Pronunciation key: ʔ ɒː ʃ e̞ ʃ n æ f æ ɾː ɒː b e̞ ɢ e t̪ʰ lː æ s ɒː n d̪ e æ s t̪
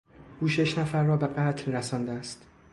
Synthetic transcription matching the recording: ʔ uː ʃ e̞ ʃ n æ f æ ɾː ɒː b e̞ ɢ æ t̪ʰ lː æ s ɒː n d̪ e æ s t̪